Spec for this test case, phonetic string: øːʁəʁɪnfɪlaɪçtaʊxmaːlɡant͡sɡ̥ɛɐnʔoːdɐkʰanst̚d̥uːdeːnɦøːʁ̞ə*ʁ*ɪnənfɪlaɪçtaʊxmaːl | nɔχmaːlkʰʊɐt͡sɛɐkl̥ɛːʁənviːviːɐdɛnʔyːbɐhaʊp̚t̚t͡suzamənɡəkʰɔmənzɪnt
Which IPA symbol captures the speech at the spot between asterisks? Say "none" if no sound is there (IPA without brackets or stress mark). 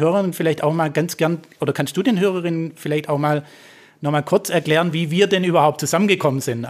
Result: ʁ